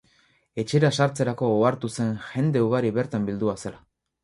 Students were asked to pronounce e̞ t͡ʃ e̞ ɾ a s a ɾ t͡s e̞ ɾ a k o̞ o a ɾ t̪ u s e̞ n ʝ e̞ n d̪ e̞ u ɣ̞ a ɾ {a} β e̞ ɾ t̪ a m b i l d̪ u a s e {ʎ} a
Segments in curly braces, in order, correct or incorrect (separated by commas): incorrect, incorrect